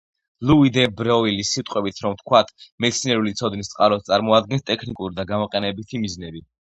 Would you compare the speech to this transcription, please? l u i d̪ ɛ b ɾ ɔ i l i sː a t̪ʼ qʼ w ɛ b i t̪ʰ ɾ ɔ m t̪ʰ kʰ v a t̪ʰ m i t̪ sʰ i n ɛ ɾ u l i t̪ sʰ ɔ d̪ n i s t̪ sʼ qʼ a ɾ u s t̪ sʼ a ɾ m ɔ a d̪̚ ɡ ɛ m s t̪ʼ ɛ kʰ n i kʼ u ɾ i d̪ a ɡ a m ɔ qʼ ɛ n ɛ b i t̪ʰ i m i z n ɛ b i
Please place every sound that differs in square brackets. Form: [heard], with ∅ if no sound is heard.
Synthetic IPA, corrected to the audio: l u i d̪ ɛ b ɾ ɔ i l i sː [i] t̪ʼ qʼ w ɛ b i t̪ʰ ɾ ɔ m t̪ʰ kʰ [w] a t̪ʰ m [ɛ] t̪ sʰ i n ɛ ɾ u l i t̪ sʰ ɔ d̪ n i s t̪ sʼ qʼ a ɾ [ɔ] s t̪ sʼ a ɾ m ɔ a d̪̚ ɡ ɛ [n] s t̪ʼ ɛ kʰ n i kʼ u ɾ i d̪ a ɡ a m ɔ qʼ ɛ n ɛ b i t̪ʰ i m i z n ɛ b i